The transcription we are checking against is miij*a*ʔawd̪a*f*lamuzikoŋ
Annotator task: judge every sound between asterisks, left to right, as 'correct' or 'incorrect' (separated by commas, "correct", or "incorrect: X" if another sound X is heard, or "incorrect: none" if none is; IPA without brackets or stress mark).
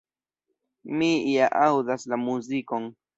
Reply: correct, incorrect: s